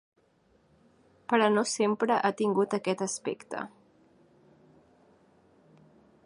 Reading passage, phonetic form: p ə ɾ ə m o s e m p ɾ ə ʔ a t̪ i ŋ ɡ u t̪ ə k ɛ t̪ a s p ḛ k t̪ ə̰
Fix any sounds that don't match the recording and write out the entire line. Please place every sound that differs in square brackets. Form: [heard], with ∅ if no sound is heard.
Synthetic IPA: p ə ɾ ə [n] o s e m p ɾ ə ʔ a t̪ i ŋ ɡ u t̪ ə k ɛ t̪ [ə] s p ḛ k t̪ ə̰